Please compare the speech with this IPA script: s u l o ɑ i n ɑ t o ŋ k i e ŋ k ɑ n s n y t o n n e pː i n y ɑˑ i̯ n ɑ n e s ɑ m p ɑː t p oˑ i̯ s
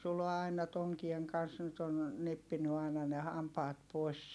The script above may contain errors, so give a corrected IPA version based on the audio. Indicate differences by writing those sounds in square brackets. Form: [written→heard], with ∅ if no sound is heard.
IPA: s u l o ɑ i n ɑ t o ŋ k i e ŋ k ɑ n s n y t o n n e pː i n y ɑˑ i̯ n ɑ n e [s→h] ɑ m p ɑː t p oˑ i̯ s

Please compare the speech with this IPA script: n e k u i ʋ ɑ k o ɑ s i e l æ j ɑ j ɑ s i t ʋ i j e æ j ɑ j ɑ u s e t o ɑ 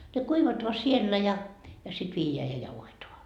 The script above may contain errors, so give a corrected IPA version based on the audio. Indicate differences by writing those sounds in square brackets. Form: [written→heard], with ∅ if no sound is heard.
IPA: n e k u i ʋ ɑ [k→t] o ɑ s i e [l→lː] æ j ɑ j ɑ s i t ʋ [i→iː] j e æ j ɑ j ɑ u [s→h] e t o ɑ

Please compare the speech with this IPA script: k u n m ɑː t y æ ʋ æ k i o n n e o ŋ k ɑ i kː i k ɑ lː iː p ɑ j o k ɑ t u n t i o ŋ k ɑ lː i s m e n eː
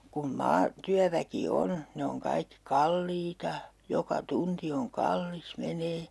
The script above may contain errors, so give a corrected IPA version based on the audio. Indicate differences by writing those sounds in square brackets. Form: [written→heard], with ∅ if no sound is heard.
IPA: k u n m ɑː t y æ ʋ æ k i o n n e o ŋ k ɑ i kː i k ɑ lː iː [p→t] ɑ j o k ɑ t u n t i o ŋ k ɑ lː i s m e n eː

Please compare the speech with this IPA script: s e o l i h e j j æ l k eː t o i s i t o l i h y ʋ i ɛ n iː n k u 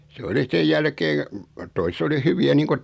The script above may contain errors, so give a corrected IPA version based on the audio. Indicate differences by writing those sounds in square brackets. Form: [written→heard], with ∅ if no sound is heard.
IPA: s e o l i [h→s] e j j æ l k eː t o i s [i→e] t o l i h y ʋ i [ɛ→æ] n iː [n→ŋ] k u

